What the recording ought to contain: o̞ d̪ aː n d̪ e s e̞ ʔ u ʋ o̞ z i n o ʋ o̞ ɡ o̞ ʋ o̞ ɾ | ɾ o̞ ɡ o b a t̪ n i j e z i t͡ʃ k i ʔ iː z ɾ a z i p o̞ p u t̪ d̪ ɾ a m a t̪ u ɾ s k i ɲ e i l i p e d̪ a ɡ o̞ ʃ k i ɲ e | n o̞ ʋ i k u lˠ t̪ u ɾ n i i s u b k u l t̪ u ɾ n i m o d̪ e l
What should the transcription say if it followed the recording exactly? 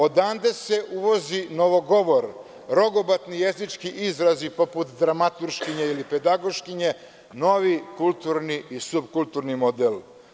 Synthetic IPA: o̞ d̪ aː n d̪ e s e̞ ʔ u ʋ o̞ z i n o ʋ o̞ ɡ o̞ ʋ o̞ ɾ | ɾ o̞ ɡ o b a t̪ n i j e z i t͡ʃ k i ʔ i z ɾ a z i p o̞ p u t̪ d̪ ɾ a m a t̪ u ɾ ʃ k i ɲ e i l i p e d̪ a ɡ o̞ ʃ k i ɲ e | n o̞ ʋ i k u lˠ t̪ u ɾ n i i s u b k u l t̪ u ɾ n i m o d̪ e l